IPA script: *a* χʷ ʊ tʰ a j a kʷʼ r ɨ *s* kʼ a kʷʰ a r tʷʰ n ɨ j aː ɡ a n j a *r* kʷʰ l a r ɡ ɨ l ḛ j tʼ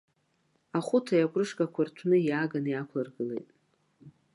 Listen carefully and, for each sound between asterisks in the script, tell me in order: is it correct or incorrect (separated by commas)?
correct, incorrect, incorrect